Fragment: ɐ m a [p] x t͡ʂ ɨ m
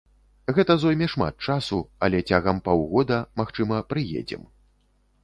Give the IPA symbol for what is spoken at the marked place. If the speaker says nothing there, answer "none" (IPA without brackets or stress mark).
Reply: none